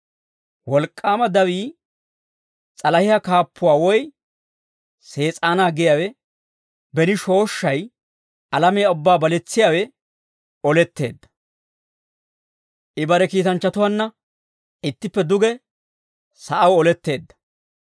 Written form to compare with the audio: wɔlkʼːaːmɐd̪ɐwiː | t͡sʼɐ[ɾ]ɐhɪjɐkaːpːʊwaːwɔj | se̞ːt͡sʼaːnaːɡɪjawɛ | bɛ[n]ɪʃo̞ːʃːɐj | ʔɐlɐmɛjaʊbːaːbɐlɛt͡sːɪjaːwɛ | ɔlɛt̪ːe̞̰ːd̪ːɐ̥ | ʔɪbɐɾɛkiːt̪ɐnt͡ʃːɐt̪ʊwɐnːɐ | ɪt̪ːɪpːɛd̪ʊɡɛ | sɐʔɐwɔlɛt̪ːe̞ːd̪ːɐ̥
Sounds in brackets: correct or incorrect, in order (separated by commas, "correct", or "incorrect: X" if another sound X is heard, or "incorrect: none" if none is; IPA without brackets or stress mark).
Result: incorrect: l, correct